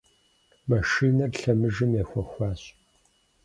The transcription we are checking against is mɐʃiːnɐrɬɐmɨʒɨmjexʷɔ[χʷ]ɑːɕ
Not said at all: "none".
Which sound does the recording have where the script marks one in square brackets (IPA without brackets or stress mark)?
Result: xʷ